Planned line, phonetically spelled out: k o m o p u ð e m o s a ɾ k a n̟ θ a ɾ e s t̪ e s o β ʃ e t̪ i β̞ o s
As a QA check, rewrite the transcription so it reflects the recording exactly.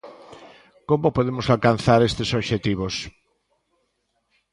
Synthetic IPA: k o m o p o ð e m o s a l k a n̟ θ a ɾ e s t̪ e s o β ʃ e t̪ i β̞ o s